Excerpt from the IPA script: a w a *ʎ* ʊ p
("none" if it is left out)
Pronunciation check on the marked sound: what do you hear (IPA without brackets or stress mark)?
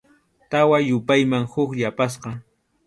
j